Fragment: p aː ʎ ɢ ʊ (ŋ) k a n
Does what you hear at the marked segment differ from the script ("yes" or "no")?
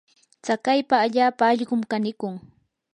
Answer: yes